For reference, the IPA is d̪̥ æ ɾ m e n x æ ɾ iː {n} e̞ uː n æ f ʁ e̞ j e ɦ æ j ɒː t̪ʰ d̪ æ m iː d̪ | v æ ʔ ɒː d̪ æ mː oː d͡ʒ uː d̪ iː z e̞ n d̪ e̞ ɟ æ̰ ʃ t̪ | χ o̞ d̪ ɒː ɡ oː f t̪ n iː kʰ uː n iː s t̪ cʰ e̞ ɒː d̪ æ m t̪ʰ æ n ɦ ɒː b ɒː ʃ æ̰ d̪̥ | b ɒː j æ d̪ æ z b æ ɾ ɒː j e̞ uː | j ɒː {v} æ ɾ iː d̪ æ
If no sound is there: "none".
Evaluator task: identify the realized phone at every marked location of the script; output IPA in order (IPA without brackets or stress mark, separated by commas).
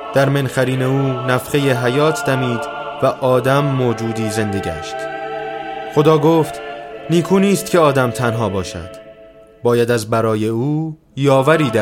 n, v